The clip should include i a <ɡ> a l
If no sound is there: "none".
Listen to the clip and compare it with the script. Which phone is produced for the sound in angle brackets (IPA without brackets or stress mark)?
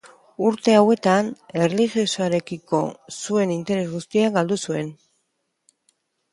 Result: ɡ